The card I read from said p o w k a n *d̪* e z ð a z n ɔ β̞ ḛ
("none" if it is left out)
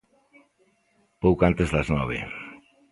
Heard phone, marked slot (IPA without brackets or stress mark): t̪